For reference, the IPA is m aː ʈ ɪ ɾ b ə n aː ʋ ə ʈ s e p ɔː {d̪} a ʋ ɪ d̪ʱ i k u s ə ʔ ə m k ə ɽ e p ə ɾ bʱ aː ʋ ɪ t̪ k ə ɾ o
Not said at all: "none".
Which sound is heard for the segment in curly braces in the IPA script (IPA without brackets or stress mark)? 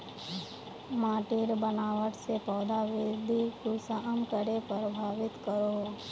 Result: d̪